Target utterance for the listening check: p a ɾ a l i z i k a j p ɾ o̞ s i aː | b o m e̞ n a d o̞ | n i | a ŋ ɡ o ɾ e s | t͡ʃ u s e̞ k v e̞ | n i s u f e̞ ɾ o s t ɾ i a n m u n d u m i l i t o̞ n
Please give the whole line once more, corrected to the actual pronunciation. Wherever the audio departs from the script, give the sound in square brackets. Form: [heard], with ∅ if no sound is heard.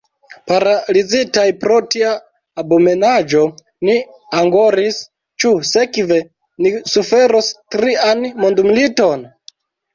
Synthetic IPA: p a ɾ a l i z i [t] a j p ɾ o̞ [t] i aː | b o m e̞ n a [d͡ʒ] o̞ | n i | a ŋ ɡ o ɾ [i] s | t͡ʃ u s e̞ k v e̞ | n i s u f e̞ ɾ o s t ɾ i a n m [o] n d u m i l i t o̞ n